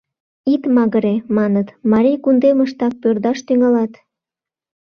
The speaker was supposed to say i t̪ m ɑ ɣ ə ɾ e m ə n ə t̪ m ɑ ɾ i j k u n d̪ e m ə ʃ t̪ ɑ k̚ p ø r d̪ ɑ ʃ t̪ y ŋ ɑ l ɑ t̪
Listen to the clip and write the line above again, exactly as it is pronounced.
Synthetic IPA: i t̪ m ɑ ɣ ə ɾ e m ɑ n ə t̪ m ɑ ɾ i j k u n d̪ e m ə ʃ t̪ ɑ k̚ p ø r d̪ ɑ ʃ t̪ y ŋ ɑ l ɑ t̪